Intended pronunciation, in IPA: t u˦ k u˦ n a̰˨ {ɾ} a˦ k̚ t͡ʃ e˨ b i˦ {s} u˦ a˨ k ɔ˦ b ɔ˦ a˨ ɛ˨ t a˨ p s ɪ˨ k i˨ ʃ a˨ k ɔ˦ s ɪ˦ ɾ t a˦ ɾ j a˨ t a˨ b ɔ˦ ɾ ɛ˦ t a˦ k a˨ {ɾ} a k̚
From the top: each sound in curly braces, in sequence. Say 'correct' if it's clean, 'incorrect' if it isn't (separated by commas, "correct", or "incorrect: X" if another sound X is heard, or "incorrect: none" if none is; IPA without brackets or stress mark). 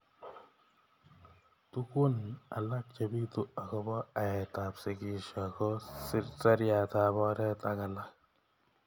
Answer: incorrect: l, incorrect: t, incorrect: l